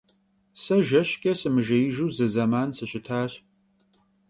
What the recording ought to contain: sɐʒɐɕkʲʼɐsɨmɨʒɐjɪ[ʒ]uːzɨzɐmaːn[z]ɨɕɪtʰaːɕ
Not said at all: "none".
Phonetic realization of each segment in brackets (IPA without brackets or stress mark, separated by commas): ʒ, s